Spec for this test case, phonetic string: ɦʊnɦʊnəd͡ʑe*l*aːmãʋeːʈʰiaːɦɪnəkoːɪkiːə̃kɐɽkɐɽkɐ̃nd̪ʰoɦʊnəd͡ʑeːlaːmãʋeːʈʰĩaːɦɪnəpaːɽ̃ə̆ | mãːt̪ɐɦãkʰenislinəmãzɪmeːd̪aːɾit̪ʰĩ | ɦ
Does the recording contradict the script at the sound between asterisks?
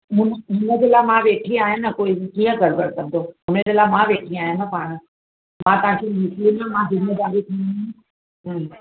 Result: no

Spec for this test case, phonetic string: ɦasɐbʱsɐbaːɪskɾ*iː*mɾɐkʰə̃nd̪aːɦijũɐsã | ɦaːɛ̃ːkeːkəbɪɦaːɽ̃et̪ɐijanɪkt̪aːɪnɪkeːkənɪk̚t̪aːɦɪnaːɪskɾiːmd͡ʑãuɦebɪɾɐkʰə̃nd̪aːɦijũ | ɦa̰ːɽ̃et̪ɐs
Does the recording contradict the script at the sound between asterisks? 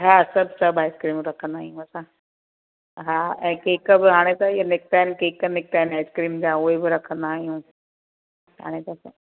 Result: no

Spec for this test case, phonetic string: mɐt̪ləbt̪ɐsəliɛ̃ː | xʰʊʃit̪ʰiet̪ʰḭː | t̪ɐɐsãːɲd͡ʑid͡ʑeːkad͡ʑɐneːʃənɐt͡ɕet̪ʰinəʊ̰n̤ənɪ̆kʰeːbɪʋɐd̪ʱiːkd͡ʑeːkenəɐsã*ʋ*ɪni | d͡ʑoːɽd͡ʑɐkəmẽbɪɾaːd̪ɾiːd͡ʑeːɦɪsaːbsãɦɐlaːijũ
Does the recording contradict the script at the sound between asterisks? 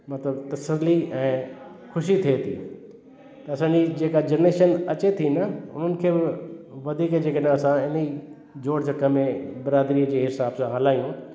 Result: yes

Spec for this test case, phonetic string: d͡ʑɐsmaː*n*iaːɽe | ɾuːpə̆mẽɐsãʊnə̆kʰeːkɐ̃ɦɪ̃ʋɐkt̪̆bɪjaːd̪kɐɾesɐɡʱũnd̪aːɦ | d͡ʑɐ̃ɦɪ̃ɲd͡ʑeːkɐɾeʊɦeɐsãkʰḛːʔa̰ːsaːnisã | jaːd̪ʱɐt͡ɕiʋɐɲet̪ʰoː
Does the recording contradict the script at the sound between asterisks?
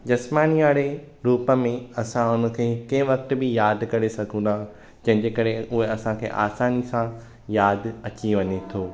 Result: no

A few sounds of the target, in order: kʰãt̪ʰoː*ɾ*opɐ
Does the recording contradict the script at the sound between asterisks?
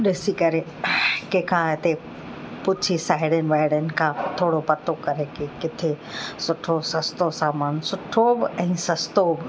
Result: yes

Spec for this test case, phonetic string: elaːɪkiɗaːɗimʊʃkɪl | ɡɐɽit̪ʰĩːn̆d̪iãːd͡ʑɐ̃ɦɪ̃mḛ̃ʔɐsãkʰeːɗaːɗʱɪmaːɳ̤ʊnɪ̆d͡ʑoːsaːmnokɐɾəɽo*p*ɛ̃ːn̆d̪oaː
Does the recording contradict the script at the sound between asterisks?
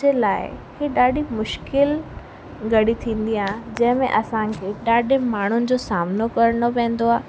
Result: no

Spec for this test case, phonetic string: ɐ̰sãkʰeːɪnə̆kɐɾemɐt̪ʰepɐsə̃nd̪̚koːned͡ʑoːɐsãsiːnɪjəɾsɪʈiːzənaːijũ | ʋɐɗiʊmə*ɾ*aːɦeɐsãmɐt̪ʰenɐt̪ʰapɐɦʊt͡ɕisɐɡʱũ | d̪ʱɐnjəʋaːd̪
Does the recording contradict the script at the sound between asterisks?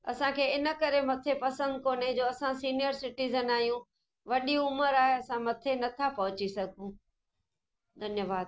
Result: no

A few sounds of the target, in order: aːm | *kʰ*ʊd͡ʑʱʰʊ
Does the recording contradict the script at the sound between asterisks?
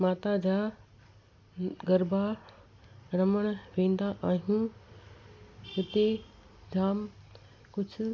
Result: yes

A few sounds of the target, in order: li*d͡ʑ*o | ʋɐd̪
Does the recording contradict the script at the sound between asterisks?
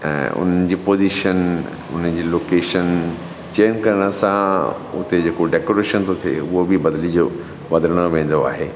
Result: no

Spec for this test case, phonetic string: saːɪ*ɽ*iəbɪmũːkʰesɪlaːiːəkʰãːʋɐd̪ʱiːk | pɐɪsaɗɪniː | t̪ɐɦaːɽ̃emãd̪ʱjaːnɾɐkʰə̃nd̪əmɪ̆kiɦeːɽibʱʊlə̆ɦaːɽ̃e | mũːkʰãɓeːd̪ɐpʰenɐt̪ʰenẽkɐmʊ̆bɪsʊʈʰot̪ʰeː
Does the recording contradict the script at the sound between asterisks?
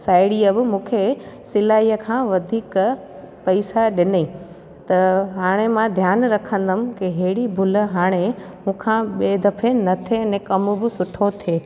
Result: no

